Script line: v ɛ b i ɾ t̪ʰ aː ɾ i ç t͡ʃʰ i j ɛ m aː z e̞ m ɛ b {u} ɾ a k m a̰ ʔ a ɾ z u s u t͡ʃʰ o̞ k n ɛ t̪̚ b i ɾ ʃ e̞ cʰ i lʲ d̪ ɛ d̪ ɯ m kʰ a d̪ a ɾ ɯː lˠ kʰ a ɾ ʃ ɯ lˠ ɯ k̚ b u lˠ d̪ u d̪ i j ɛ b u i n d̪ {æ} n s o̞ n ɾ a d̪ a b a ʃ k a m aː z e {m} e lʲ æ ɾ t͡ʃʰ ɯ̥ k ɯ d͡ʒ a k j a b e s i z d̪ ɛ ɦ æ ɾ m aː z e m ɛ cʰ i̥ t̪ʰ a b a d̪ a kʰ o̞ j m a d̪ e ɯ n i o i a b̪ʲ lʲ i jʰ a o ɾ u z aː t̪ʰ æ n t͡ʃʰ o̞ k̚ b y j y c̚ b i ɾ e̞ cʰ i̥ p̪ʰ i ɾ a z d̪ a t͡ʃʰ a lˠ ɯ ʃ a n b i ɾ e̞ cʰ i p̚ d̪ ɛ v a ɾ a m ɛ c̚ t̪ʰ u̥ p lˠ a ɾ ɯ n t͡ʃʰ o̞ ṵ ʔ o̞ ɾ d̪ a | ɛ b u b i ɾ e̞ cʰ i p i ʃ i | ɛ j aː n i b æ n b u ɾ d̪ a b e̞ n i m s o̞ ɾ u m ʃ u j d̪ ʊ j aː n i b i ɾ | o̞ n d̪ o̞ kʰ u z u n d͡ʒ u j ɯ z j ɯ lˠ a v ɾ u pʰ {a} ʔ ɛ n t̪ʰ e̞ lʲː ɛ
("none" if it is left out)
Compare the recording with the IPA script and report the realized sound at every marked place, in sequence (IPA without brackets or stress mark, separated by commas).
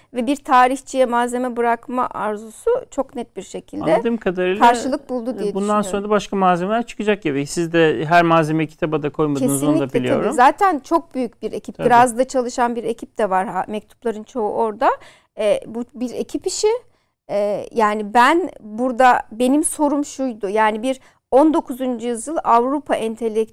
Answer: ɯ, a, m, a